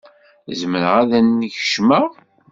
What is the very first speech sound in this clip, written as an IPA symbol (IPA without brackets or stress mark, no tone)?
z